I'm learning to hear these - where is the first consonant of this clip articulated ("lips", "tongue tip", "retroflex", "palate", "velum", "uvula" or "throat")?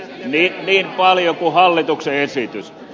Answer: tongue tip